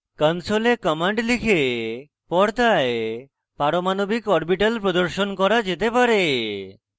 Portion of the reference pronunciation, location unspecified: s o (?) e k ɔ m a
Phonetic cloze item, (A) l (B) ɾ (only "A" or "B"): A